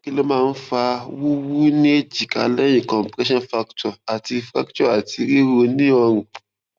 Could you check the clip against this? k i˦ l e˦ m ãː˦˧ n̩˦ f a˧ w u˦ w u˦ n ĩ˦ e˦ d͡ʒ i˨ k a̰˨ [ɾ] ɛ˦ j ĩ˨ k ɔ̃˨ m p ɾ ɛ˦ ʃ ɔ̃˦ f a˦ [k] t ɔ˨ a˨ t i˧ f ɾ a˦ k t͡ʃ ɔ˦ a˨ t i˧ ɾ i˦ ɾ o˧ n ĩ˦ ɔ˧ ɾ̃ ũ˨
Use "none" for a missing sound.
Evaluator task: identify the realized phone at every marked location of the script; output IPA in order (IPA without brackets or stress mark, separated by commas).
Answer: l, k